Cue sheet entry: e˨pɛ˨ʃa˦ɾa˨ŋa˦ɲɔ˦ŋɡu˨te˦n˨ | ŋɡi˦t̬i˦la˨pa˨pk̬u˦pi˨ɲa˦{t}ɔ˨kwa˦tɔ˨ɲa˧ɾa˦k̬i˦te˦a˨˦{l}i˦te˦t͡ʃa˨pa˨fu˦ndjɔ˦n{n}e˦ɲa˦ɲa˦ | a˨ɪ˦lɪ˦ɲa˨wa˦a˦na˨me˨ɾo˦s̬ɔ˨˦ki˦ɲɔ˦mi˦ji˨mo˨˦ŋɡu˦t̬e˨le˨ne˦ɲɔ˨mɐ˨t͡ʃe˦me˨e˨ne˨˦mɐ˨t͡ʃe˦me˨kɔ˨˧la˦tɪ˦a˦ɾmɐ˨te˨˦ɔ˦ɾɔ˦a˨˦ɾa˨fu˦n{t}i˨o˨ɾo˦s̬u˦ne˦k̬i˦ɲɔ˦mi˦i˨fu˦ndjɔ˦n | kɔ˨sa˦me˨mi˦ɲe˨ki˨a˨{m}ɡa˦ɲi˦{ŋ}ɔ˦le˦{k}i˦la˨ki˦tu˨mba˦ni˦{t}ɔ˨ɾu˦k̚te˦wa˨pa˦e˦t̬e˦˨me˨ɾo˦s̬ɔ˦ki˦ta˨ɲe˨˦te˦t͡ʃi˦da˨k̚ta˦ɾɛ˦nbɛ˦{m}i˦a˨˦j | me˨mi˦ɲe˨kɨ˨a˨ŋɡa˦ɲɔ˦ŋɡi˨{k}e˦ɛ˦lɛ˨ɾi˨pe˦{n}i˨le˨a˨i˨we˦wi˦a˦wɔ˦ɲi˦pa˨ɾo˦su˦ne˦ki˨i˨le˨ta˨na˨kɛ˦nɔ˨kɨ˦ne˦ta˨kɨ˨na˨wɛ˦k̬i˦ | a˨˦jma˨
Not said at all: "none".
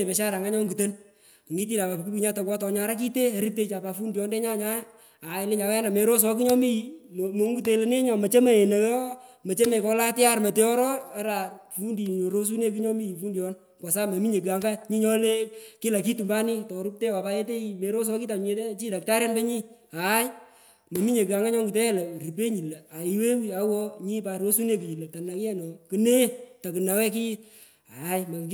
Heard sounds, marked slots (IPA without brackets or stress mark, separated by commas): t, ɾ, d, d, ŋ, ɲ, k, t, ɲ, t, ɲ